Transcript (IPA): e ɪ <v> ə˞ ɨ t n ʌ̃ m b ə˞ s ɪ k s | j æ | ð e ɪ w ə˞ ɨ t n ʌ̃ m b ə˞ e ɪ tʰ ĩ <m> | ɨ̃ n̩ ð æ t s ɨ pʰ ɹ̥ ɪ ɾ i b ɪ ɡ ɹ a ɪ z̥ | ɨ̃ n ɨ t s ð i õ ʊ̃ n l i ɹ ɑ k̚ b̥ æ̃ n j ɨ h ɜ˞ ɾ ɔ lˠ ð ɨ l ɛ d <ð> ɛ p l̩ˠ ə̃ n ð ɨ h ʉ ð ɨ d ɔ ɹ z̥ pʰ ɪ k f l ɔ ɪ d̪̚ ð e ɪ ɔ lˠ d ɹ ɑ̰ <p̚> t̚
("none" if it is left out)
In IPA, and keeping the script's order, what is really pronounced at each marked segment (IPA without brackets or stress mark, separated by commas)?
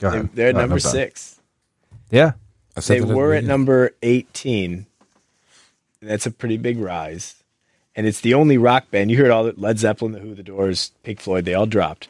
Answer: ð, n, z, p̚